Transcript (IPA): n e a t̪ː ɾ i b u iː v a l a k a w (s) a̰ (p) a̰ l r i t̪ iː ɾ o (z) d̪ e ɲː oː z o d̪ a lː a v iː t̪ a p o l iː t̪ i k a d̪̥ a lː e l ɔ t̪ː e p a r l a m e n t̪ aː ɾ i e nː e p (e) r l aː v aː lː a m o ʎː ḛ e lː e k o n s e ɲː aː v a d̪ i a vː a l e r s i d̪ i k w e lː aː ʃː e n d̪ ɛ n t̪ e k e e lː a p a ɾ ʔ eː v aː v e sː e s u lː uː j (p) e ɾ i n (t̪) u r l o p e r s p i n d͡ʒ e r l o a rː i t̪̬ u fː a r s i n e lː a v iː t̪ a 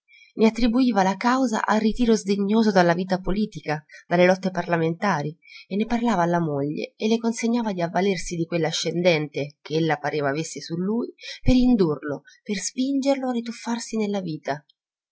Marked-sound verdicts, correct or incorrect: incorrect: z, incorrect: ʔ, correct, incorrect: a, correct, incorrect: d̪

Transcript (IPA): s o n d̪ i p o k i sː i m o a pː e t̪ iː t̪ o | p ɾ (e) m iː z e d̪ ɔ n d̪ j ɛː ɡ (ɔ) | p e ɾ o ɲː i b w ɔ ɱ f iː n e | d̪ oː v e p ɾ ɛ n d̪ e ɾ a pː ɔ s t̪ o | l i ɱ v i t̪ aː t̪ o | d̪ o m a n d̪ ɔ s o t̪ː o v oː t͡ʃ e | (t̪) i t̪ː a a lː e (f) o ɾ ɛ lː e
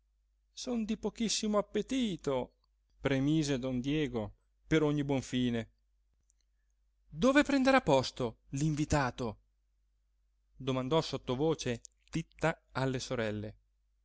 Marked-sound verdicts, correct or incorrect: correct, incorrect: o, correct, incorrect: s

